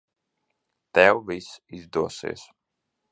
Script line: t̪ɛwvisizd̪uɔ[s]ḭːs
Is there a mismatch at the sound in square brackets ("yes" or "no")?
no